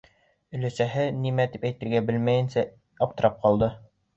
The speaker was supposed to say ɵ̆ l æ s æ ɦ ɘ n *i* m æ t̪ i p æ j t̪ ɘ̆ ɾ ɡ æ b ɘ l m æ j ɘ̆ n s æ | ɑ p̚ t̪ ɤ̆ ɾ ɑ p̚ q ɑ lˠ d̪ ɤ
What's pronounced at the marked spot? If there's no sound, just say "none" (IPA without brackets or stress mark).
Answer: i